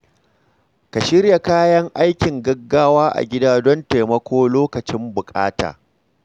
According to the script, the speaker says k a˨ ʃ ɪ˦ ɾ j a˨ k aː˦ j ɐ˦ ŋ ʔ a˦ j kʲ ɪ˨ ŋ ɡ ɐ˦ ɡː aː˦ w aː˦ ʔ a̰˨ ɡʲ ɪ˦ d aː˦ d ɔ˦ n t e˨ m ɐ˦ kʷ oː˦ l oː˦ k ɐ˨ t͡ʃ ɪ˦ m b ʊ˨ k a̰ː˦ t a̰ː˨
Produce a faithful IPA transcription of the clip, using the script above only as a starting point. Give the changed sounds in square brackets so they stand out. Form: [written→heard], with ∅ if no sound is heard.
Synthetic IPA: k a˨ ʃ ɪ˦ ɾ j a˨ k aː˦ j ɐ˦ ŋ ʔ a˦ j kʲ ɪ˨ ŋ ɡ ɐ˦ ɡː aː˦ w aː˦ ʔ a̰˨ ɡʲ ɪ˦ d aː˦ d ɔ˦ n t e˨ m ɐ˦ kʷ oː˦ l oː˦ k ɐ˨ t͡ʃ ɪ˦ m b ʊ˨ [k→kʼ] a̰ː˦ t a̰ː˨